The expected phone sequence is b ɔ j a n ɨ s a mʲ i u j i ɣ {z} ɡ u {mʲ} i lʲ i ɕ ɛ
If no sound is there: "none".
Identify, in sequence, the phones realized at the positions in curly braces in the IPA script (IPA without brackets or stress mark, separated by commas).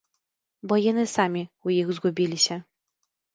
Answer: z, bʲ